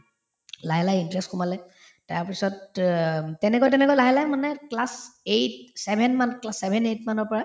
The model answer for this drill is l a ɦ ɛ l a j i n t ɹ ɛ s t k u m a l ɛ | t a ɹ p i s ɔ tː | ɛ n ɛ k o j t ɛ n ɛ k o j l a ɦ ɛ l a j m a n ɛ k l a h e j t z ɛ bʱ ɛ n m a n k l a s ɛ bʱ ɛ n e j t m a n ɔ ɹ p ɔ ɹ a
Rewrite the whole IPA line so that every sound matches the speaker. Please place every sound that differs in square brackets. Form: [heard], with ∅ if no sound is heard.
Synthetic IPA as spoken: l a ɦ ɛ l a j i n t ɹ ɛ s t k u m a l ɛ | t a ɹ p i s ɔ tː | ɛ n ɛ k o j t ɛ n ɛ k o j l a ɦ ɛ l a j m a n ɛ k l a [s] e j t [s] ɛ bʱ ɛ n m a n k l a s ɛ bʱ ɛ n e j t m a n ɔ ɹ p ɔ ɹ a